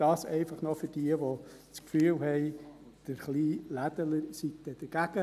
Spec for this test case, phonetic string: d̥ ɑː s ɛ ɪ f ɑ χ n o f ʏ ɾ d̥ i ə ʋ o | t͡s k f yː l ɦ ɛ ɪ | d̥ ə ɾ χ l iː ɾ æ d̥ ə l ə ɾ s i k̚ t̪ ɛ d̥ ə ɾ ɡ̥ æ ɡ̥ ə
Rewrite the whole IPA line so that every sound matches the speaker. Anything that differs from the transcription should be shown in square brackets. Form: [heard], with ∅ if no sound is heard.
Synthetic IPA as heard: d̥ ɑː s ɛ ɪ f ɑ χ n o f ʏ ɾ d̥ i ə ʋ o | t͡s k f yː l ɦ ɛ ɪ | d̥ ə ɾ χ l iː [l] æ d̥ ə l ə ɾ s i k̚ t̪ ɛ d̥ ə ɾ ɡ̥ æ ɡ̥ ə